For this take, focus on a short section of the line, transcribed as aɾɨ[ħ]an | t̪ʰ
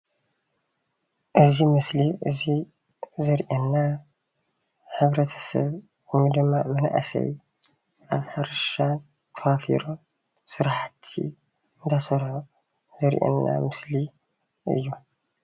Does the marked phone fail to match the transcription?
yes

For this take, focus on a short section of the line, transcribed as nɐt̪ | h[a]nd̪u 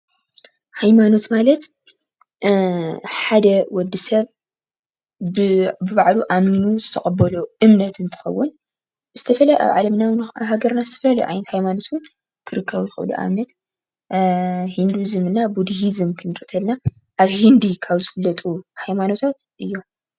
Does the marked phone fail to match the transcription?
yes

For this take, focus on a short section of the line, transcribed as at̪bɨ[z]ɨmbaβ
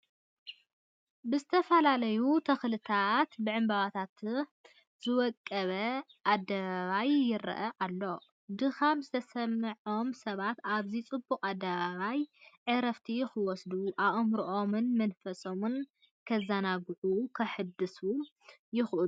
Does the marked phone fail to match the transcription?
yes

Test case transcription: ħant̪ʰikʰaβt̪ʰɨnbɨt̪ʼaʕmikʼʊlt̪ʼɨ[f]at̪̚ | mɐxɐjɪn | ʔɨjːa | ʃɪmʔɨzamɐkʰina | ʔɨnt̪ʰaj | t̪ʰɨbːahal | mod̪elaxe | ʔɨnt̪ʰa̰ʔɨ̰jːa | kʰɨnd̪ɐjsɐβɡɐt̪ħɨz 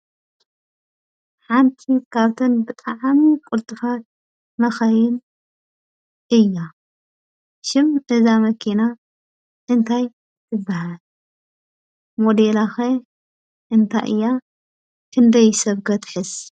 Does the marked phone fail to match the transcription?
no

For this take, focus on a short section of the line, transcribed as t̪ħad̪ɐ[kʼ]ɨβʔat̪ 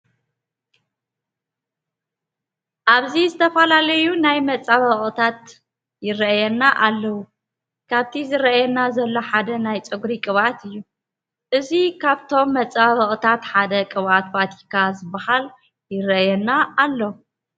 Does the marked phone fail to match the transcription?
no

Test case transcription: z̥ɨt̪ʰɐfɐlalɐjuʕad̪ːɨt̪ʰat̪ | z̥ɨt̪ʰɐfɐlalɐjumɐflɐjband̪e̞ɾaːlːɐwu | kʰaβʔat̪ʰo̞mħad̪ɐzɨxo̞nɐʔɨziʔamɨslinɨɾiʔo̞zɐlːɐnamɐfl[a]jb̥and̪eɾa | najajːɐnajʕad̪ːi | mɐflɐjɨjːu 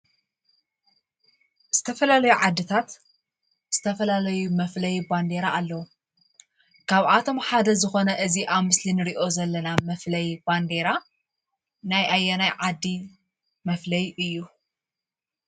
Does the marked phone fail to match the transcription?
yes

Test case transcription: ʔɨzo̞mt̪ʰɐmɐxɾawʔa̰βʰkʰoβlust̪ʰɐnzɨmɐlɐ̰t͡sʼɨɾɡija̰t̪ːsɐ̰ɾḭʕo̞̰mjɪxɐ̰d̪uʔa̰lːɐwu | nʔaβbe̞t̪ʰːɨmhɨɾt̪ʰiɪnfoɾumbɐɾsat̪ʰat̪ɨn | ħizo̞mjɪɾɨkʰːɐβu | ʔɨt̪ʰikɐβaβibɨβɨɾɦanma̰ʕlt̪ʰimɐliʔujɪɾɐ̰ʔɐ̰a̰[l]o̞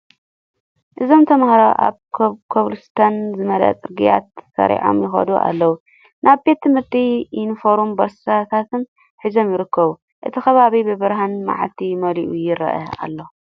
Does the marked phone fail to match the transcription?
yes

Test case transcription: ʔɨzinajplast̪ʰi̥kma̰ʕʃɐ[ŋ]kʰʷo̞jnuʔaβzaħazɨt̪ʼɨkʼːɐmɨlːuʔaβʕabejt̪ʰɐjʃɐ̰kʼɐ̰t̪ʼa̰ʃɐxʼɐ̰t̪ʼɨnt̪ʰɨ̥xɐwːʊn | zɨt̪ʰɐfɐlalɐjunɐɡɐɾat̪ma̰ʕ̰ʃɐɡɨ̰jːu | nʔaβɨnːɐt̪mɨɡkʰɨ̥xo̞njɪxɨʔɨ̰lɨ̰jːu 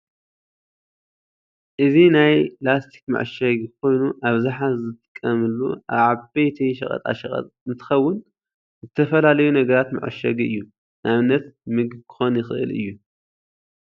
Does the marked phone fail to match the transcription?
yes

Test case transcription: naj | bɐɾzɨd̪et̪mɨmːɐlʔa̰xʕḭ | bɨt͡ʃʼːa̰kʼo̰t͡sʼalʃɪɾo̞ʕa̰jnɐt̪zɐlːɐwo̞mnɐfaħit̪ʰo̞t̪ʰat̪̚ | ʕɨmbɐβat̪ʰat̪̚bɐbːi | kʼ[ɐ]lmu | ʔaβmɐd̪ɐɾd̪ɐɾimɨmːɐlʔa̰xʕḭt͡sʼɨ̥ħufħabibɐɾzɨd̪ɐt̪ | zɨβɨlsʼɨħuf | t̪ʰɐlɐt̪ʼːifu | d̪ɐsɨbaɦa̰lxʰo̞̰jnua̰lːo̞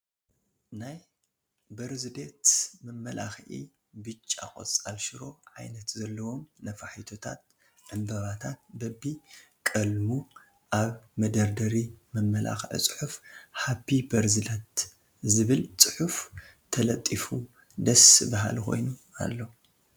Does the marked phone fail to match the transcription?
no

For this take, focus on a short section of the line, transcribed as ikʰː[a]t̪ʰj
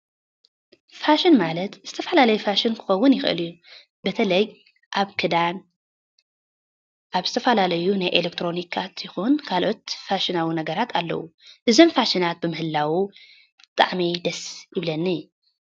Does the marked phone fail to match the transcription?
no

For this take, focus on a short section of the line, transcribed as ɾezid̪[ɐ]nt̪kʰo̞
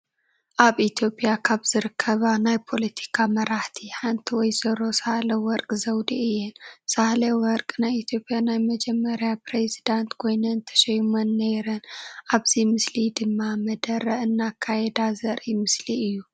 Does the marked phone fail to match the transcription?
yes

